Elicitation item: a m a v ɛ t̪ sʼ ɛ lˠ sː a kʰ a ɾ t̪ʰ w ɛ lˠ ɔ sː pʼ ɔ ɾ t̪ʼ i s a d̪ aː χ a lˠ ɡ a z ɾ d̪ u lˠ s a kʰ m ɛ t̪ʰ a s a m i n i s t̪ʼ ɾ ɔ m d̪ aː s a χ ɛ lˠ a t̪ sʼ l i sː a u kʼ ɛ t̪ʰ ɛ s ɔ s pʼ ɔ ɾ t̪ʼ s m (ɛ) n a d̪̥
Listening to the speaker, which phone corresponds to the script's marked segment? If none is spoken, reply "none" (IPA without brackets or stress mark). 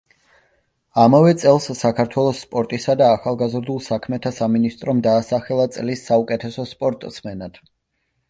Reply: ɛ